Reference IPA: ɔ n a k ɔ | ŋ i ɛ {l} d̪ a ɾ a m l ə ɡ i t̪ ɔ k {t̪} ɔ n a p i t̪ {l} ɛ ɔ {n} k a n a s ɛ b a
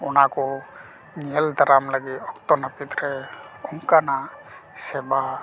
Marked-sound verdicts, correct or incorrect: correct, correct, incorrect, incorrect

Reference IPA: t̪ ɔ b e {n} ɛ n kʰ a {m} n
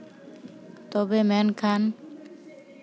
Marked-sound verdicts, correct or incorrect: incorrect, incorrect

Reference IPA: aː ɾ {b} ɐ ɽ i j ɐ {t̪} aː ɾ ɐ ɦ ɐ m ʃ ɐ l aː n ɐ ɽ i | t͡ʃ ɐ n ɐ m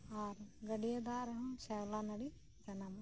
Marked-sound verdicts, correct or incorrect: incorrect, incorrect

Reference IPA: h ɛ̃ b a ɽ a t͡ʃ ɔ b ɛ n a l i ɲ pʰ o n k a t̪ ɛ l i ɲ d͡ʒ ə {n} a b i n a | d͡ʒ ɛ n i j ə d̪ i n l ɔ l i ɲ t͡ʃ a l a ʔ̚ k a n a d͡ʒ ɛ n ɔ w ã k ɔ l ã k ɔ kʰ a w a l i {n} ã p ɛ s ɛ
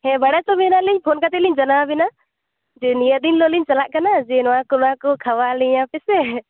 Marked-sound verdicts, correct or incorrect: correct, incorrect

